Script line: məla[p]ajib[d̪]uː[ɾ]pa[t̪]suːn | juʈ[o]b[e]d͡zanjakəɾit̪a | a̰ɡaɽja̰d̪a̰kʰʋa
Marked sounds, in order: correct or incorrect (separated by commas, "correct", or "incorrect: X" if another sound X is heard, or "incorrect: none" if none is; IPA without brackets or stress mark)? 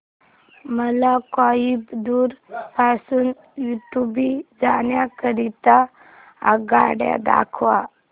incorrect: k, correct, correct, incorrect: none, incorrect: u, incorrect: i